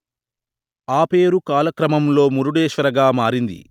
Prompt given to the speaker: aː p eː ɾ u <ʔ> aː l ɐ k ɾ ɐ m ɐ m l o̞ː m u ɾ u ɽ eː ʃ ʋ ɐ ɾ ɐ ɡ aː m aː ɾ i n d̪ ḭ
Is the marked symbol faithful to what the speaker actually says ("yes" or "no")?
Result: no